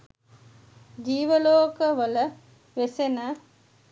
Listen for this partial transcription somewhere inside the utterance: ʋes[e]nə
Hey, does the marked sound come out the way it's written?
yes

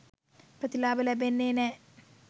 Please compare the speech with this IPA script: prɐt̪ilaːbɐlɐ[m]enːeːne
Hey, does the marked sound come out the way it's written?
no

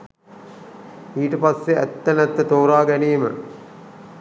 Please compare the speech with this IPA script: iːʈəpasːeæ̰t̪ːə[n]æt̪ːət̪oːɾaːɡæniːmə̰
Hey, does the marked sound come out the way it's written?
yes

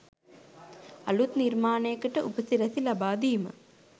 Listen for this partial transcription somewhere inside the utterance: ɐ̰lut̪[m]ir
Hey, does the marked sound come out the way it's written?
no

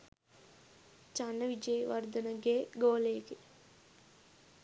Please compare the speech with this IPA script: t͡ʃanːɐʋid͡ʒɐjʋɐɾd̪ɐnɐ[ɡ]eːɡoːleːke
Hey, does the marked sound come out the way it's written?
yes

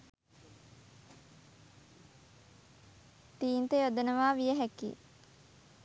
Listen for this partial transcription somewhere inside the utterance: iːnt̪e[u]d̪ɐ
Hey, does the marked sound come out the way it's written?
no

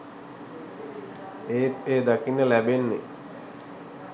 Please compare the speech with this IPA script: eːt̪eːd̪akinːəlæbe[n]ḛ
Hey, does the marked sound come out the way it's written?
no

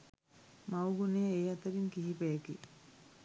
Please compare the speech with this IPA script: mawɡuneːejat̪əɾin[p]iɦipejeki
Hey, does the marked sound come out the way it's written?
no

